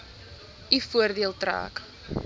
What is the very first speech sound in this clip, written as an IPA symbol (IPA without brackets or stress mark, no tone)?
i